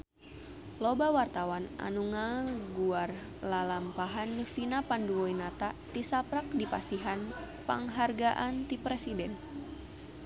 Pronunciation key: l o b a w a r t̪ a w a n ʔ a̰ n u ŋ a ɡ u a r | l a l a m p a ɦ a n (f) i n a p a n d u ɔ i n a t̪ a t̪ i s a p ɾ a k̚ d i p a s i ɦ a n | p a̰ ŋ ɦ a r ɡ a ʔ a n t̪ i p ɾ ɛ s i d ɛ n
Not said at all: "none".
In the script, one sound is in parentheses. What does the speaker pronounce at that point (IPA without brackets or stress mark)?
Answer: f